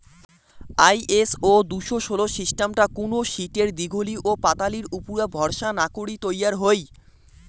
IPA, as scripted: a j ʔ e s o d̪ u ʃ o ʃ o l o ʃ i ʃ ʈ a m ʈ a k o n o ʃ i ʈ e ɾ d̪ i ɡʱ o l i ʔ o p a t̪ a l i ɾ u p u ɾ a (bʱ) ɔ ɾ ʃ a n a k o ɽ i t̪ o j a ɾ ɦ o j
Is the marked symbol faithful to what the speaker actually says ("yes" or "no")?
yes